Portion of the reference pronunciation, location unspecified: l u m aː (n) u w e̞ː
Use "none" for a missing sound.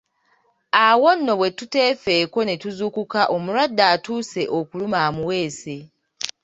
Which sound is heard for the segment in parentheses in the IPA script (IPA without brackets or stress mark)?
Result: m